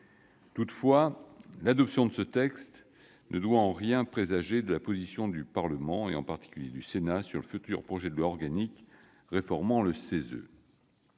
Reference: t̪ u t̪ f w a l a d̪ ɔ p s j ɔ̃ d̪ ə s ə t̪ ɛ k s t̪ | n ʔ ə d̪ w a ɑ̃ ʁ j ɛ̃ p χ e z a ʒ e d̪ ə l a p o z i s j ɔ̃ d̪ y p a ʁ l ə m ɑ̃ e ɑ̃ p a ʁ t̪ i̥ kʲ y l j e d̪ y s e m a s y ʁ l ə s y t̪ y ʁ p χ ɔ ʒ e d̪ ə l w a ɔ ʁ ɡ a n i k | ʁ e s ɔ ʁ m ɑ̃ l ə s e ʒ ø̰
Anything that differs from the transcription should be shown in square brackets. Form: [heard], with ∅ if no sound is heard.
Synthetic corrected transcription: t̪ u t̪ f w a l a d̪ ɔ p s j ɔ̃ d̪ ə s ə t̪ ɛ k s t̪ | n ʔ ə d̪ w a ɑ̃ ʁ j ɛ̃ p χ e z a ʒ e d̪ ə l a p o z i s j ɔ̃ d̪ y p a ʁ l ə m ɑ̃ e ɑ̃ p a ʁ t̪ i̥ kʲ y l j e d̪ y s e [n] a s y ʁ l ə [f] y t̪ y ʁ p χ ɔ ʒ [ɛ] d̪ ə l w a ɔ ʁ ɡ a n i k | ʁ e [f] ɔ ʁ m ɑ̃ l ə s e [z] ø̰